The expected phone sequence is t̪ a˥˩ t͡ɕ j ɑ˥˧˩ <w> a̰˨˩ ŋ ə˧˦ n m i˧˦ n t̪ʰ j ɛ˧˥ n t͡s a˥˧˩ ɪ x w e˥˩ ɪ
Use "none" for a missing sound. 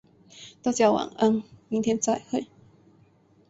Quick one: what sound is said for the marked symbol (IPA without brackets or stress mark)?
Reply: w